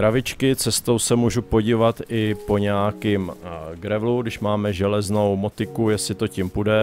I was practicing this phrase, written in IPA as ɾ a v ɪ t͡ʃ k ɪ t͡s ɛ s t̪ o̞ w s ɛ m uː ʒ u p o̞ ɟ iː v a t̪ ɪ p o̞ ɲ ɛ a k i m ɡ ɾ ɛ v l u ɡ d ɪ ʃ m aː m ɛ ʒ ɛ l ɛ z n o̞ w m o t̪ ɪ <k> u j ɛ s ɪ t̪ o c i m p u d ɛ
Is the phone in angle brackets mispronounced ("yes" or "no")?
no